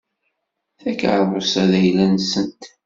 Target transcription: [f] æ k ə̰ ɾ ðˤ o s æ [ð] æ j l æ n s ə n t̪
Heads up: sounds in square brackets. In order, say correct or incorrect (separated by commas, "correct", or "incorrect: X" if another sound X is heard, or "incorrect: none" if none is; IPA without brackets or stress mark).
incorrect: θ, correct